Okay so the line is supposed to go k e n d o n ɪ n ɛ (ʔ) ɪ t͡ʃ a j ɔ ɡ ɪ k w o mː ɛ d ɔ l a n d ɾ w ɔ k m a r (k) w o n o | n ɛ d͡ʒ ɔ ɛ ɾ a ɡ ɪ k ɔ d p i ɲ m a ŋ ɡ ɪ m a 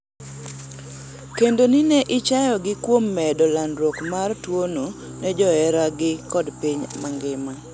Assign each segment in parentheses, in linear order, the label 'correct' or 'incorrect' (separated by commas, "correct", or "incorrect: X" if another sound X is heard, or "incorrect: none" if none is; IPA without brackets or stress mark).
correct, incorrect: t